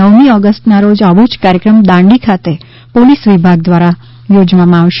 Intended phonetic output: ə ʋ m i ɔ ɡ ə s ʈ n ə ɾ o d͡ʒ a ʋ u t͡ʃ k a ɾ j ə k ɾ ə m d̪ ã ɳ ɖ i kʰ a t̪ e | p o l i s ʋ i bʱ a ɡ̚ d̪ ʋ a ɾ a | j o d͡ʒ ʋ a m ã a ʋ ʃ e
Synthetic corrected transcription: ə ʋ m i ɔ ɡ ə s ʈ n a ɾ o d͡ʒ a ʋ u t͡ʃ k a ɾ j ə k ɾ ə m d̪ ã ɳ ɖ i kʰ a t̪ e | p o l i s ʋ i bʱ a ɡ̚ d̪ ʋ a ɾ a | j o d͡ʒ ʋ a m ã a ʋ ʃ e